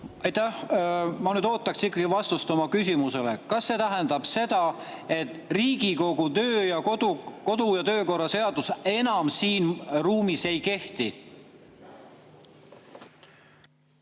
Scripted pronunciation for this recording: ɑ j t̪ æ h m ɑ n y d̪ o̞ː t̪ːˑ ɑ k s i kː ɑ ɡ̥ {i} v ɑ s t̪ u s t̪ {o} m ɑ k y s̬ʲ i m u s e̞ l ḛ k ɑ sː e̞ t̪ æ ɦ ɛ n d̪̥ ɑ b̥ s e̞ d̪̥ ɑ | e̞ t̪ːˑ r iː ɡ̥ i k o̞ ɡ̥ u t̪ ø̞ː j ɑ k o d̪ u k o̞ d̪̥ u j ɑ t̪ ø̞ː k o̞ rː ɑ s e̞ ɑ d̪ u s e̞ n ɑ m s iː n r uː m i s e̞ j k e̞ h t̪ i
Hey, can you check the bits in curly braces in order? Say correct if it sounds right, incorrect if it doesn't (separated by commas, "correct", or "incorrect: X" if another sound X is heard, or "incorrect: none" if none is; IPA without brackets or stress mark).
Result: correct, correct